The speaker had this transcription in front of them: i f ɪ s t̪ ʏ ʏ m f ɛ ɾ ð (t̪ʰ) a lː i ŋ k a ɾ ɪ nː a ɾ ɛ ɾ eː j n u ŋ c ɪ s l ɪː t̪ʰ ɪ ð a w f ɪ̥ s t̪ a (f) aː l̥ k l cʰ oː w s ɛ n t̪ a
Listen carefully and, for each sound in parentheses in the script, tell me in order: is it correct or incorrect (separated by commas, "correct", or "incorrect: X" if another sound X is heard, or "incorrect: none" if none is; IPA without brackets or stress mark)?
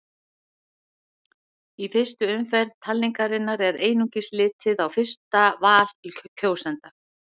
correct, incorrect: v